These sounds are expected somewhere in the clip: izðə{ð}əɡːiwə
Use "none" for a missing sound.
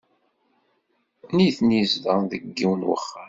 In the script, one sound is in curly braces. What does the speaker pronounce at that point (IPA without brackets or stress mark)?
ð